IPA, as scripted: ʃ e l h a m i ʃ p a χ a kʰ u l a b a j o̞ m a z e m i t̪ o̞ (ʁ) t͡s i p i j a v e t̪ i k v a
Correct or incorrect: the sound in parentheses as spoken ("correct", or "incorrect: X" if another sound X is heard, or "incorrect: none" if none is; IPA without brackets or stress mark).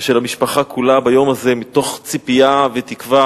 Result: incorrect: χ